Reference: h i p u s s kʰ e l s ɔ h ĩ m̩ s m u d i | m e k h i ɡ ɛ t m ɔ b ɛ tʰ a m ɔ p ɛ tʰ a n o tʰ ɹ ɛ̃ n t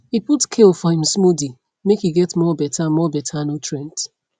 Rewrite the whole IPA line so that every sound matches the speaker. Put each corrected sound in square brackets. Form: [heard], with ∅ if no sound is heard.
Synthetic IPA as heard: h i p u [t] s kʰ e l [f] ɔ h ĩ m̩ s m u d i | m e k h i ɡ ɛ t m ɔ b ɛ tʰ a m ɔ [b] ɛ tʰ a n o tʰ ɹ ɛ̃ n t